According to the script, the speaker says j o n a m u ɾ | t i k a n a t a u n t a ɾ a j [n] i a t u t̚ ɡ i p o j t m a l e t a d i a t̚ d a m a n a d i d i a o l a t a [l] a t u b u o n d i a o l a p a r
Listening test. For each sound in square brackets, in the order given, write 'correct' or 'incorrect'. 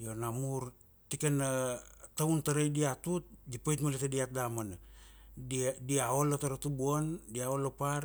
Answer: incorrect, incorrect

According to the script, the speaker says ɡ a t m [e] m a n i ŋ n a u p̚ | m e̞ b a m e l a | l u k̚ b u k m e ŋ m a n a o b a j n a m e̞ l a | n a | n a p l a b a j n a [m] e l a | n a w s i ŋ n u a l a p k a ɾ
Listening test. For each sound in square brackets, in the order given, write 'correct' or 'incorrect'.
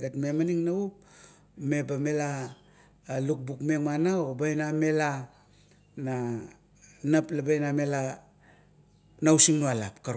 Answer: correct, correct

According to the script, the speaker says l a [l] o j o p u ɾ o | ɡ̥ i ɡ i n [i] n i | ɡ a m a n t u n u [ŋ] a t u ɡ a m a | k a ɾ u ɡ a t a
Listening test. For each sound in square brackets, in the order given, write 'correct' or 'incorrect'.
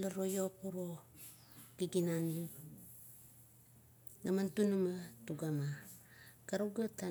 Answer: incorrect, incorrect, incorrect

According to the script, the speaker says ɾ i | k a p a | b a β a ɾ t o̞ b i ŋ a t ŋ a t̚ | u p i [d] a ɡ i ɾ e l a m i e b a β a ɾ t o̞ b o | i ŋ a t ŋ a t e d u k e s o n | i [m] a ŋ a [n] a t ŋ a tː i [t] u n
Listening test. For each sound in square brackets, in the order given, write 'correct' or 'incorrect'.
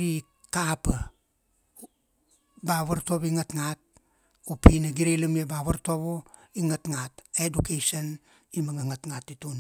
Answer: incorrect, correct, incorrect, correct

